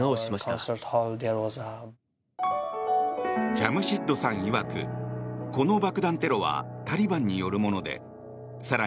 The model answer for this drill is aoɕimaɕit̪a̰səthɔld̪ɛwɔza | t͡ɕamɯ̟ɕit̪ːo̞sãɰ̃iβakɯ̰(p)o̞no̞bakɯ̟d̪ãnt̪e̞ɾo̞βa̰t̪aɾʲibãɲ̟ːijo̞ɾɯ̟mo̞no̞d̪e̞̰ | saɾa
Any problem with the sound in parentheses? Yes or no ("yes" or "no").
yes